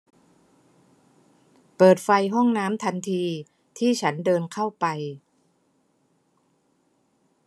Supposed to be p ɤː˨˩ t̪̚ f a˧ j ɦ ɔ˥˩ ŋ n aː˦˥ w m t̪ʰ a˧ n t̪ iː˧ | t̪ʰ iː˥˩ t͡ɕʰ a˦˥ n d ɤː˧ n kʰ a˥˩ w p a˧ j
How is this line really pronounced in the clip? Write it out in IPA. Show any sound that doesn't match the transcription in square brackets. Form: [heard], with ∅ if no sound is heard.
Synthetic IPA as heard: p ɤː˨˩ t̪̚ f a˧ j ɦ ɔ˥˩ ŋ n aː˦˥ [∅] m t̪ʰ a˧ n [t̪ʰ] iː˧ | t̪ʰ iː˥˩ t͡ɕʰ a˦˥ n d ɤː˧ n kʰ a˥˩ w p a˧ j